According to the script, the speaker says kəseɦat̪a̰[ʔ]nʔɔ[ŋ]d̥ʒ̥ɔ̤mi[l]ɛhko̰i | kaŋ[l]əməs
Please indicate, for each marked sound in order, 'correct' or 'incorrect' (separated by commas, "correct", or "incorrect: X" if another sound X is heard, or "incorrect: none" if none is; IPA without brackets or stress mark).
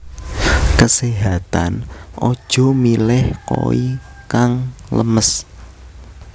incorrect: none, incorrect: none, correct, correct